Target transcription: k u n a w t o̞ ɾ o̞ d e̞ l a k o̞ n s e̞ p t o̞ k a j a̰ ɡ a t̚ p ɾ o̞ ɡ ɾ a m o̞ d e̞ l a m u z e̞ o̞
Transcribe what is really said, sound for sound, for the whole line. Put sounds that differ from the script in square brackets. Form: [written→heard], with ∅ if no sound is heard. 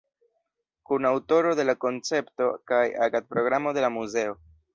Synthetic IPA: k u n a w t o̞ ɾ o̞ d e̞ l a k o̞ n [s→t͡s] e̞ p t o̞ k a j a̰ ɡ a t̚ p ɾ o̞ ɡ ɾ a m o̞ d e̞ l a m u z e̞ o̞